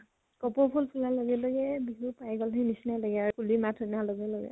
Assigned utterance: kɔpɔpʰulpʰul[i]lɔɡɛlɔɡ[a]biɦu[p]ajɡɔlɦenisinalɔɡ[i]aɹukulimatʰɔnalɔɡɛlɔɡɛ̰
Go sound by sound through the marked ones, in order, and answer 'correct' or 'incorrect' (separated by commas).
incorrect, incorrect, correct, incorrect